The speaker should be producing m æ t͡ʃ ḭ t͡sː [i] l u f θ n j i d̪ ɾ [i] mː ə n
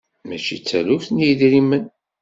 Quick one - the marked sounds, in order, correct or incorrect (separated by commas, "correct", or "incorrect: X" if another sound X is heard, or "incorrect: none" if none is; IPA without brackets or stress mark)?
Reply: incorrect: æ, correct